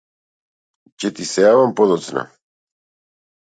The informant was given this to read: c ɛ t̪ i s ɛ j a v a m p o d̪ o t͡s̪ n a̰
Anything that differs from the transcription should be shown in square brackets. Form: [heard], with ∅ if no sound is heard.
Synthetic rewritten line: c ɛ t̪ i s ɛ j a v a m p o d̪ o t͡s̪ n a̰